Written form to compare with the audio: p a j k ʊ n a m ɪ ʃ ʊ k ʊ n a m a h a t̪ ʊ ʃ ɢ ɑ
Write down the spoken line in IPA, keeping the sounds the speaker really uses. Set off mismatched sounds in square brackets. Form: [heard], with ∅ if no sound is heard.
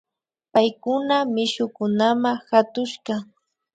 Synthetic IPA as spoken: p a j k ʊ n a m ɪ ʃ ʊ k ʊ n a m a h a t̪ ʊ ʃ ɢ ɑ